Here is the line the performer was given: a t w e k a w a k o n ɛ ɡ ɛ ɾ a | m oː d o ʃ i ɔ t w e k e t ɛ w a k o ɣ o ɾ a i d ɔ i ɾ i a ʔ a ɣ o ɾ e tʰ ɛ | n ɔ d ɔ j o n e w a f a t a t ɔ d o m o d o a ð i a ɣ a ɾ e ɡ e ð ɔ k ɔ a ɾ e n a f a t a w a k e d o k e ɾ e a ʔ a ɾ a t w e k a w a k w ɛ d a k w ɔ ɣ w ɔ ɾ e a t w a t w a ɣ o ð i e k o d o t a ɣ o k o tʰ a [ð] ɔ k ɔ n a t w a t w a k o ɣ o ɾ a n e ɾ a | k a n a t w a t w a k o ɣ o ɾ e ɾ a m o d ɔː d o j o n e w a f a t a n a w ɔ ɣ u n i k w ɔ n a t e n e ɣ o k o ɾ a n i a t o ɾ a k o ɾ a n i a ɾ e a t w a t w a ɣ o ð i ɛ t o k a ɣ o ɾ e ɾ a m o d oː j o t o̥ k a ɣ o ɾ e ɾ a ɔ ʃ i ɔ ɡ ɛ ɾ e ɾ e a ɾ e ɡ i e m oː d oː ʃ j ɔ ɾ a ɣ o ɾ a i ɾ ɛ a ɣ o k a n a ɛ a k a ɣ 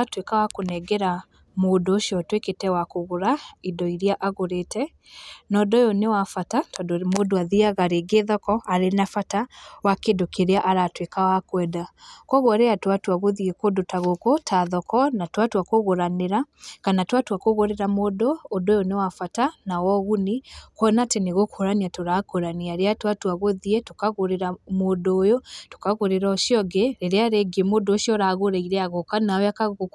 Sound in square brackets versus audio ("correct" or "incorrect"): correct